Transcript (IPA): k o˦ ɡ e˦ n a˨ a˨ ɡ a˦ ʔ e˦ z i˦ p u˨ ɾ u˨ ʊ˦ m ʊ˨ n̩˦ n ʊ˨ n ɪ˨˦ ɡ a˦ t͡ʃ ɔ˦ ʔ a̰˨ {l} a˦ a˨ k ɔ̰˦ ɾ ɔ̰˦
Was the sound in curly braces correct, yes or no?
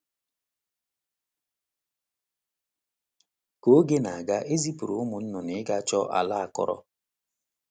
yes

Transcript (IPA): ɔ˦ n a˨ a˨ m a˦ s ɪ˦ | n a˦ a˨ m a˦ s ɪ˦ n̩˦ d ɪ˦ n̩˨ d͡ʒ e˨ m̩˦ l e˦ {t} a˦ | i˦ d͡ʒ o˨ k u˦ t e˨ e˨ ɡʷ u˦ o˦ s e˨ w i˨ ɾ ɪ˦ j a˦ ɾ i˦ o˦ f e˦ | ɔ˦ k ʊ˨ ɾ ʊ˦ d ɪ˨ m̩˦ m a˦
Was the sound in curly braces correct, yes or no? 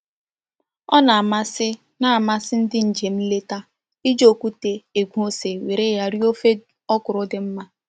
yes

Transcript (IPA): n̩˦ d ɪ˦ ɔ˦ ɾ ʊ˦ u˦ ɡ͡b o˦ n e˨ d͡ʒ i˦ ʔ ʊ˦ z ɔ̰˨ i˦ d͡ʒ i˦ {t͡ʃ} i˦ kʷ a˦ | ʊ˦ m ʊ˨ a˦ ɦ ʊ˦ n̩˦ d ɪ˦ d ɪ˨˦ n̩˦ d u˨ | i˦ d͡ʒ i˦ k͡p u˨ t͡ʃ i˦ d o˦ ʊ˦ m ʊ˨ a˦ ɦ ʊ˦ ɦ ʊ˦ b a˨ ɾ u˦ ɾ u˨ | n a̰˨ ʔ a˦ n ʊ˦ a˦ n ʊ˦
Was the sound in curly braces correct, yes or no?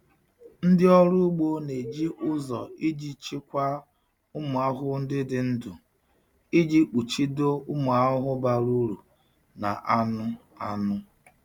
yes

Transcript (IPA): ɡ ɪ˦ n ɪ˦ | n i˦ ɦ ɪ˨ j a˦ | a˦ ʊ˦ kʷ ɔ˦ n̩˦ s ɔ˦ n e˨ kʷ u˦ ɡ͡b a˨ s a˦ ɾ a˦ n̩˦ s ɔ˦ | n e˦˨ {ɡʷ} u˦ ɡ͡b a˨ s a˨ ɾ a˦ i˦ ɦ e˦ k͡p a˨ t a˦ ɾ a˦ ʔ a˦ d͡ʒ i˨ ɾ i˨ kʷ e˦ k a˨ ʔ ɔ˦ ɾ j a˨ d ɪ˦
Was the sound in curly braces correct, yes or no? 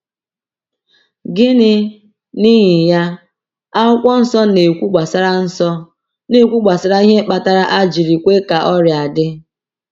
no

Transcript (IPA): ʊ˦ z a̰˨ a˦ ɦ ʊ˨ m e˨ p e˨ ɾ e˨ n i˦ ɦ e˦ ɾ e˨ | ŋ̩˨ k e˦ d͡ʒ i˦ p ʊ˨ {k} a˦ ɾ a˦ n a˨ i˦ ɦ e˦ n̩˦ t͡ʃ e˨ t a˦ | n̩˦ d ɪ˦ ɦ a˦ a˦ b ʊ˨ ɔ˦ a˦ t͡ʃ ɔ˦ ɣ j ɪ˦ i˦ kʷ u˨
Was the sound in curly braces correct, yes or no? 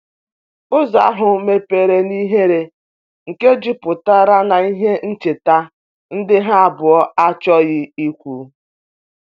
no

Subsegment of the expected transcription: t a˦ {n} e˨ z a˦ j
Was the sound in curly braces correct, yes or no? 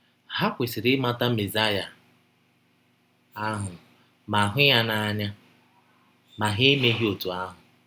no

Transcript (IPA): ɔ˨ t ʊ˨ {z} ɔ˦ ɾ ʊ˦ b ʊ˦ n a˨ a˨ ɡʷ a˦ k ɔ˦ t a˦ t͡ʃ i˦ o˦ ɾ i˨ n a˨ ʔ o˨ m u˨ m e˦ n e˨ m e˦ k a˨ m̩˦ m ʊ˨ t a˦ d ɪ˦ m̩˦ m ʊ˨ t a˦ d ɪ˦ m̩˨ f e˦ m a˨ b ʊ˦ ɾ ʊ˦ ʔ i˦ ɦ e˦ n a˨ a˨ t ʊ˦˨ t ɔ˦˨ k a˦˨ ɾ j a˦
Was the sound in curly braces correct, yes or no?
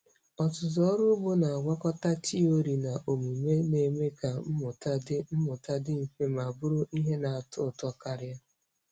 yes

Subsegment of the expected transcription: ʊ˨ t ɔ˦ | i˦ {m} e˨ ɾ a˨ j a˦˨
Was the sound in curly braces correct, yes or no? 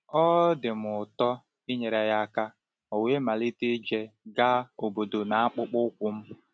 no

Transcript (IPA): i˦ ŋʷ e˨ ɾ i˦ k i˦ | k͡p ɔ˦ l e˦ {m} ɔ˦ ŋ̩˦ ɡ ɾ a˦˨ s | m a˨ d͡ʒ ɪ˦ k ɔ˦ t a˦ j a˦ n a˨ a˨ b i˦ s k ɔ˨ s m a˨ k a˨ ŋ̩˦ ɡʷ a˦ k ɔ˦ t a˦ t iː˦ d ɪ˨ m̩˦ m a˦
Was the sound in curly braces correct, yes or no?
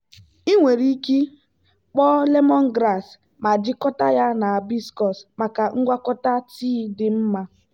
yes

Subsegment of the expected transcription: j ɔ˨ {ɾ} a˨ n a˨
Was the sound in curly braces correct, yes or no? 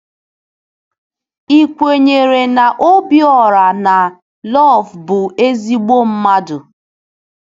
yes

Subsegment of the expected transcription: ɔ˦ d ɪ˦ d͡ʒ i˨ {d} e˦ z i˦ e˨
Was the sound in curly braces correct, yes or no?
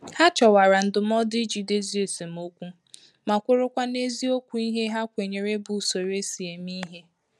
yes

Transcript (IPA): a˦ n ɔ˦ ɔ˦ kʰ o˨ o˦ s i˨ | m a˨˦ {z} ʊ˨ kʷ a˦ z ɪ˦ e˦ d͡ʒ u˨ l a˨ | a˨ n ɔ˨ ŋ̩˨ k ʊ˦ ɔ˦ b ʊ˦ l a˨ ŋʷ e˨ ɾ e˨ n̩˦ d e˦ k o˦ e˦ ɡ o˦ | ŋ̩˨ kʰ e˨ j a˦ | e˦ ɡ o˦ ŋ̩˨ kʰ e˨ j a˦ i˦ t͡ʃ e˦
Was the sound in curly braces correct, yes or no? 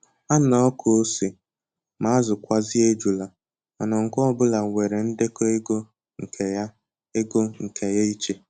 yes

